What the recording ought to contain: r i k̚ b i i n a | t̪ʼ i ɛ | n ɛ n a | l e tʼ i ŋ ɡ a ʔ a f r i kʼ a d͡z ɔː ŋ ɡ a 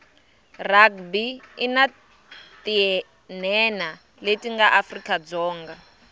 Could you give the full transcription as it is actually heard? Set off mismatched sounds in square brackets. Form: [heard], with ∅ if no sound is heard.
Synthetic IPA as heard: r [a] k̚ b i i n a | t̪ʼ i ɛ | n ɛ n a | l e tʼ i ŋ ɡ a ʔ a f r i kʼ a d͡z ɔː ŋ ɡ a